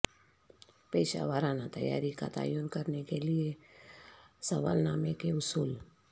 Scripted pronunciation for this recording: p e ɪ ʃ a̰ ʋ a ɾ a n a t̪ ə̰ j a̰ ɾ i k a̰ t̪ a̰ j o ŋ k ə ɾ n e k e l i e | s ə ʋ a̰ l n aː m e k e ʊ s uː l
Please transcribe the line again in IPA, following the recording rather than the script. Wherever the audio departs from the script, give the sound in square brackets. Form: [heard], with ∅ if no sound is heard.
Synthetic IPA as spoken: p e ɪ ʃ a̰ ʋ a ɾ a n a t̪ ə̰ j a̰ ɾ i k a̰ t̪ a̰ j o [n] k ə ɾ n e k e l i e | s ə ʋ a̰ l n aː m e k e ʊ s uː l